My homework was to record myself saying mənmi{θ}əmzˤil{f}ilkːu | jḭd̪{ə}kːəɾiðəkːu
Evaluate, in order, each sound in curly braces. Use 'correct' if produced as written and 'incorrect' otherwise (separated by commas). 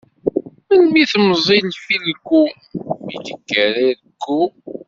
correct, correct, correct